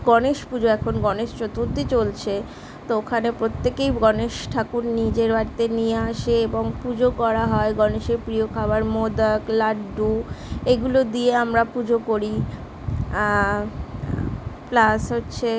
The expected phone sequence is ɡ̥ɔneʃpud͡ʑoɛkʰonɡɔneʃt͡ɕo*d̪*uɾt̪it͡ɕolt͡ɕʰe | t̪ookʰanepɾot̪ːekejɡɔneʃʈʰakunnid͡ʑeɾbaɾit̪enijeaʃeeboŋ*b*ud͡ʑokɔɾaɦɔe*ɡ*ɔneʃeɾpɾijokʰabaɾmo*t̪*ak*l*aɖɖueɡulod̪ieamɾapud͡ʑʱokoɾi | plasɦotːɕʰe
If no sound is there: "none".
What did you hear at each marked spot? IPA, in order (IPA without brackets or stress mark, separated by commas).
t̪, p, ɡ, d̪, l